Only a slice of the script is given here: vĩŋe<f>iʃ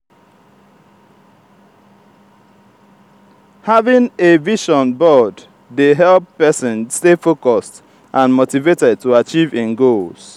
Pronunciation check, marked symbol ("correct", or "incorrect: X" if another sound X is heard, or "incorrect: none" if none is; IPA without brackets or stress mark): incorrect: v